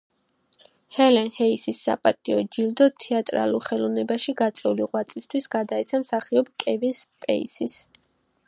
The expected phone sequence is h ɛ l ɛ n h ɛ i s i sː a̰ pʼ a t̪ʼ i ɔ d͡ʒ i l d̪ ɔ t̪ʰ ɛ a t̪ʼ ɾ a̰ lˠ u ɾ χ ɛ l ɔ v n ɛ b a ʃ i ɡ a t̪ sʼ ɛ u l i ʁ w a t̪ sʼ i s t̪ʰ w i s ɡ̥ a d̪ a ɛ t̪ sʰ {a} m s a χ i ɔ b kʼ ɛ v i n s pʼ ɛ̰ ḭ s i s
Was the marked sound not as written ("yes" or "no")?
no